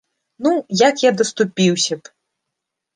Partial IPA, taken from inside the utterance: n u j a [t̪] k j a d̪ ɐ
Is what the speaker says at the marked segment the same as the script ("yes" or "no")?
no